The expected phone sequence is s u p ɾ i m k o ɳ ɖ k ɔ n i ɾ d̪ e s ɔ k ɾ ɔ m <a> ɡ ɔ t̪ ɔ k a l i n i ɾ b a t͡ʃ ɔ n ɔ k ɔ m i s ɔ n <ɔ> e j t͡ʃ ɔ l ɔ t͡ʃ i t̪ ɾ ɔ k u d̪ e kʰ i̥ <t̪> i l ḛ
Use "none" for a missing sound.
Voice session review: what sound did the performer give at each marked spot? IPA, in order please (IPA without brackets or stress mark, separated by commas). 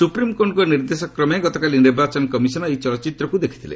e, ɔ, t̪ʰ